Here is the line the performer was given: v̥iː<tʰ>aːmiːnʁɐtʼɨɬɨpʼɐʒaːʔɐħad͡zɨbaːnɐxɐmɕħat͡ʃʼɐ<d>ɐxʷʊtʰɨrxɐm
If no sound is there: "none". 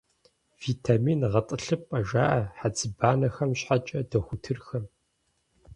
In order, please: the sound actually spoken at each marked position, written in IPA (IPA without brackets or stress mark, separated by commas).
tʰ, d